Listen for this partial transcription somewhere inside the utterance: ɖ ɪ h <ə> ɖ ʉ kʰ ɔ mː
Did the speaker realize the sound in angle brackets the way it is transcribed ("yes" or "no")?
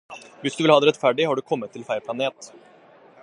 no